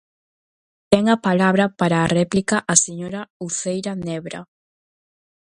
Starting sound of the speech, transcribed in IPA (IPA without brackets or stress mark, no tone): t̪